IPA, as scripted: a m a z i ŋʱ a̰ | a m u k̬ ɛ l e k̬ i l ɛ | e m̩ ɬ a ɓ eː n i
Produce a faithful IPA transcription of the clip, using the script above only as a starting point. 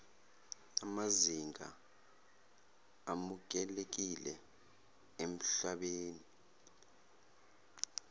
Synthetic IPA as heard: a m a z i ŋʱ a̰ | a m u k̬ ɛ l e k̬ i l ɛ | e m̩ ɬ a ɓ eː n i

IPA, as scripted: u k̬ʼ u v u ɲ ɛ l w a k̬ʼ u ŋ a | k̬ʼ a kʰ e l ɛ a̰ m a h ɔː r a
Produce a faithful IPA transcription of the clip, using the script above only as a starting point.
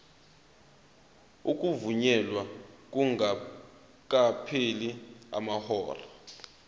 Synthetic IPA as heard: u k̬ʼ u v u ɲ ɛ l w a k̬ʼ u ŋ a | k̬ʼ a pʰ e l i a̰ m a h ɔː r a

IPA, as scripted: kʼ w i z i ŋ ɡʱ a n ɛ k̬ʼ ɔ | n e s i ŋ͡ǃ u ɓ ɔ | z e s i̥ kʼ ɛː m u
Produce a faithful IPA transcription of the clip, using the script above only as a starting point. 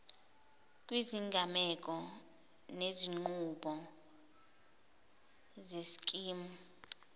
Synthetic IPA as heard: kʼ w i z i ŋ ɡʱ a m ɛ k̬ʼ ɔ | n e z i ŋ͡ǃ u ɓ ɔ | z e s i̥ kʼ iː m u

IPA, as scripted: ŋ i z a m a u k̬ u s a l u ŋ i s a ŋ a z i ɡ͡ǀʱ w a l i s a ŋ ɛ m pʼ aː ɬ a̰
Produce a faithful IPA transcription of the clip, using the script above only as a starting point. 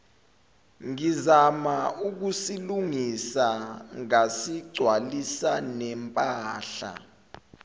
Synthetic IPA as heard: ŋ i z a m a u k̬ u s i l u ŋ i s a ŋ a s i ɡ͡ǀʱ w a l i s a n ɛ m pʼ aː ɬ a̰

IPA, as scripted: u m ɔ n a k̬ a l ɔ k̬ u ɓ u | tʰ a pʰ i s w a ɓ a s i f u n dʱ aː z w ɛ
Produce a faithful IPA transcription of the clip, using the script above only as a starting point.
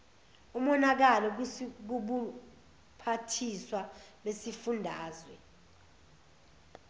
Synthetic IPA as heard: u m ɔ n a k̬ a l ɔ k̬ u ɓ u | pʰ a tʰ i s w a ɓ e s i f u n dʱ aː z w ɛ

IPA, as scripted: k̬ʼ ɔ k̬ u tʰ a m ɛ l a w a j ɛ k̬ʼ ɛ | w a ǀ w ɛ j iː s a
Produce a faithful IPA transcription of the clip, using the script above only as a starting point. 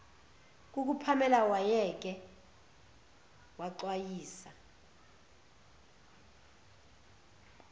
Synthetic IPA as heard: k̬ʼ u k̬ u pʰ a m ɛ l a w a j ɛ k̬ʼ ɛ | w a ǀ w a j iː s a

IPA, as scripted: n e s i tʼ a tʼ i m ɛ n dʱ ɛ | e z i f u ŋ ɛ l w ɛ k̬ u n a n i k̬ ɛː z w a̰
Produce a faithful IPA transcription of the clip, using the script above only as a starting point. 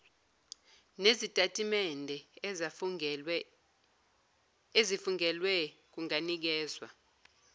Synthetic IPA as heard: n e z i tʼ a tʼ i m ɛ n dʱ ɛ | e z i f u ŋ ɛ l w ɛ k̬ u ŋ a n i k̬ ɛː z w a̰

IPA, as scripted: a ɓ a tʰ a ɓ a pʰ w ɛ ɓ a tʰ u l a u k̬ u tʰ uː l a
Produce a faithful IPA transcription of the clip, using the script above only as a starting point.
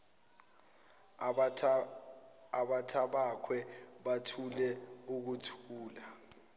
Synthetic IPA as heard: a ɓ a tʰ a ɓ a kʰ w ɛ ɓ a tʰ u l ɛ u k̬ u tʰ uː l a

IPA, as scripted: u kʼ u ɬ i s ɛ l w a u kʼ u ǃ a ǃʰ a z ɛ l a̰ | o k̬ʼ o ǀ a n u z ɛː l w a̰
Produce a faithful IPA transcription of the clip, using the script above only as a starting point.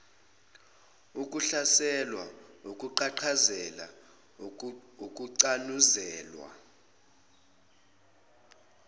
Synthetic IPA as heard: u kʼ u ɬ a s ɛ l w a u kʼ u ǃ a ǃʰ a z ɛ l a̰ | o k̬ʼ u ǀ a n u z ɛː l w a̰

